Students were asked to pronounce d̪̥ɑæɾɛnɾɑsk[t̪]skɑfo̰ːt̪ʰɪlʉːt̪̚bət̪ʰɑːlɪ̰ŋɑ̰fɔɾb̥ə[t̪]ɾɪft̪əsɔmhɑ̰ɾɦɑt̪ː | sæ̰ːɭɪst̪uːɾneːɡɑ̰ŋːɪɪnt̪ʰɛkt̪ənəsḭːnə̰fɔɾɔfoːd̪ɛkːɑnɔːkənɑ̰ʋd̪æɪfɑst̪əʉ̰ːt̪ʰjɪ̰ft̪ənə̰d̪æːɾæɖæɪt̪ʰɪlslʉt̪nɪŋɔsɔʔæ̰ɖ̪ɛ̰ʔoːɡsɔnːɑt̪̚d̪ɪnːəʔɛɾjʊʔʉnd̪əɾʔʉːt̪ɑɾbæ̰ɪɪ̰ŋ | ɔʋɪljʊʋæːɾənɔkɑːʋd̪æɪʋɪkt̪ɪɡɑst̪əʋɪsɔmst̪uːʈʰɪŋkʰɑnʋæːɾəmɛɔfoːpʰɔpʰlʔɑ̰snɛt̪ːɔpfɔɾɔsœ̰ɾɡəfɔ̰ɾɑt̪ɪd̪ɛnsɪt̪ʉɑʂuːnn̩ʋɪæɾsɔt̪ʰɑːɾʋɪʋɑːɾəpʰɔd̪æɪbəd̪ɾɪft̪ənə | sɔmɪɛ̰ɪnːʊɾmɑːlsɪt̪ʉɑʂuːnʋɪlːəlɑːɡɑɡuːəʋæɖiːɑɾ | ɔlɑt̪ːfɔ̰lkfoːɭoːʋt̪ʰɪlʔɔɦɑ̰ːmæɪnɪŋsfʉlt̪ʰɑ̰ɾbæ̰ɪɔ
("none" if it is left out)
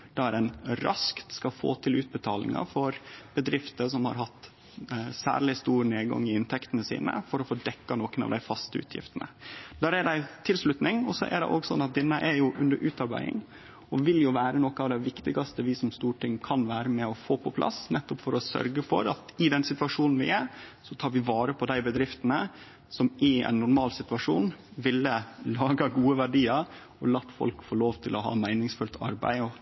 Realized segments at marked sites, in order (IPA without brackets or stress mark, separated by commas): t̪, d̪